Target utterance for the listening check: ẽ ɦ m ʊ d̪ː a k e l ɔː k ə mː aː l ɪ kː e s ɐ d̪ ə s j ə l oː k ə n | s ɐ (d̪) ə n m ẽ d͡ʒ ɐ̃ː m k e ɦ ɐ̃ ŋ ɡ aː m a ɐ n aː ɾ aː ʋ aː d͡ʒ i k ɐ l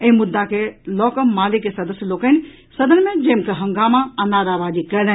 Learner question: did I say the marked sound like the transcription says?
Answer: yes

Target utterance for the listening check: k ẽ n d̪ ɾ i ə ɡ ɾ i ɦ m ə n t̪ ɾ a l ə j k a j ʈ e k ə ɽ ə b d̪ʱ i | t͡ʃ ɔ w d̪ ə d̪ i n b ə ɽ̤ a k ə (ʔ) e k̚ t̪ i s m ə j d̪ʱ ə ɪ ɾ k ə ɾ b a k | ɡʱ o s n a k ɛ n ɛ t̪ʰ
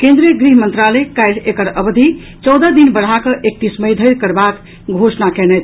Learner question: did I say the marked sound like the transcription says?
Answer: yes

